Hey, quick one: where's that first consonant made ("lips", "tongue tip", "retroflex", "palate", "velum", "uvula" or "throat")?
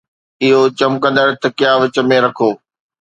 throat